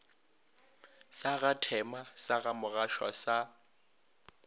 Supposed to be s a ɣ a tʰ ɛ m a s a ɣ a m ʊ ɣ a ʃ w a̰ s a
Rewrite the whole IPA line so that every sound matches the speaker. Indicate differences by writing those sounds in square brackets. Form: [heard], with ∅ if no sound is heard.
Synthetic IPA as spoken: s a ɣ a tʰ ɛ m a s a ɣ a m ʊ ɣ a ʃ w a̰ s a